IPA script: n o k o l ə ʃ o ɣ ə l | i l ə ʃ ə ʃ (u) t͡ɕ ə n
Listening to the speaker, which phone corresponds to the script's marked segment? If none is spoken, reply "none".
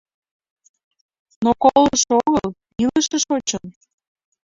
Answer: o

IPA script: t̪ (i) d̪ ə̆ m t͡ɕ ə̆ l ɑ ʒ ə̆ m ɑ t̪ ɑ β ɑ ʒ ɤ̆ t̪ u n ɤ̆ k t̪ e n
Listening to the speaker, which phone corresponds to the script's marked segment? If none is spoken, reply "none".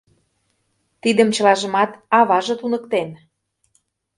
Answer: i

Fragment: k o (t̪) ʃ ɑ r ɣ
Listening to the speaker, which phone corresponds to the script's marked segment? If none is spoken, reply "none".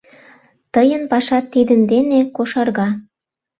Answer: none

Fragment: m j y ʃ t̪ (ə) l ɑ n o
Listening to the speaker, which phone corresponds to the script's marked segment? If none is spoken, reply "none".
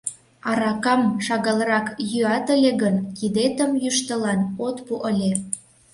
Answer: ə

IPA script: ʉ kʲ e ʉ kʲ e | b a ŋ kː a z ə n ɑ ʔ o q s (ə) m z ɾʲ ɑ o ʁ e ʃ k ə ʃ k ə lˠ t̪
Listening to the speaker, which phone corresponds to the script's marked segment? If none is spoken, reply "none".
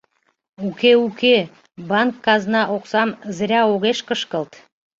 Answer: ɑ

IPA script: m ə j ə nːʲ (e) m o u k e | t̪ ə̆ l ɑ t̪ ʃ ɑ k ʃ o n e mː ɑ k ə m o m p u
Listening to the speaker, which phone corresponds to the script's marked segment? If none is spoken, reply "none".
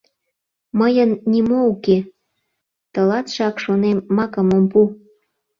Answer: i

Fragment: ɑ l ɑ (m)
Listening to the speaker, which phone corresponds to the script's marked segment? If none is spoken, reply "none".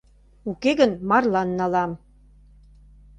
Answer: m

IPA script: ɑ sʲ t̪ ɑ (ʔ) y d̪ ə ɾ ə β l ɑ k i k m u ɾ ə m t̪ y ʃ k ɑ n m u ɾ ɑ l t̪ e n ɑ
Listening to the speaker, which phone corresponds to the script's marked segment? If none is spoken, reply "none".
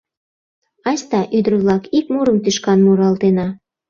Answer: ʔ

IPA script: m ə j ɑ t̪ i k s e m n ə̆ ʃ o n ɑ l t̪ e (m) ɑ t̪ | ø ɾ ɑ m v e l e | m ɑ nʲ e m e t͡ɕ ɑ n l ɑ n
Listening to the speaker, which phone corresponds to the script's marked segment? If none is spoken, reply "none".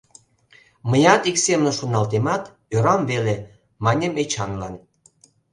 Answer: m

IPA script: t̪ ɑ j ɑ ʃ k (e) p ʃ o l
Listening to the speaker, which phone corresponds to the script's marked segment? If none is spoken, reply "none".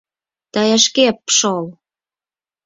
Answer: e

